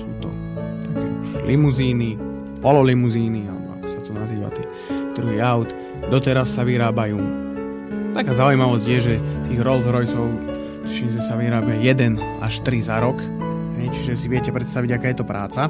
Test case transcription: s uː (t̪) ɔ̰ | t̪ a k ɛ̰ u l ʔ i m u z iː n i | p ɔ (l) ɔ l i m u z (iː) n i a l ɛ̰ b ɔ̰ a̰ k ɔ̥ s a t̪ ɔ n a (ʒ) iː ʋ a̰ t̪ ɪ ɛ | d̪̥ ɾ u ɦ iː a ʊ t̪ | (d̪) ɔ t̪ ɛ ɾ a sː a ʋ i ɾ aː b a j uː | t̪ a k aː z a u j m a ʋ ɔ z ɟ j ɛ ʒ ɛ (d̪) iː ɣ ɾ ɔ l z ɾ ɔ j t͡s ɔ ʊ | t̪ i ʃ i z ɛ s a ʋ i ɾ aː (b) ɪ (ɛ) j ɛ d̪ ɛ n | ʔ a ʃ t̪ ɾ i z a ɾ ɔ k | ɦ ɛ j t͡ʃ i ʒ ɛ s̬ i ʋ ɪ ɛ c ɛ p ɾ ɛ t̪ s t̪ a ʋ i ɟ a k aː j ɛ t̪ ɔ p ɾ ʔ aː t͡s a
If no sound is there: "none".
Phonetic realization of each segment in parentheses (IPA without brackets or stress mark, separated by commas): t̪, l, iː, z, d̪, t̪, b, a